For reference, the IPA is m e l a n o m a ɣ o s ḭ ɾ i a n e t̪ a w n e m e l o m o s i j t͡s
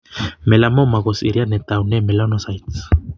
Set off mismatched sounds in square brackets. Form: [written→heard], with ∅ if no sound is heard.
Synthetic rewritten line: m e l a [n→m] o m a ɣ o s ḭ ɾ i a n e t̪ a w n e m e l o [m→n] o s [i→a] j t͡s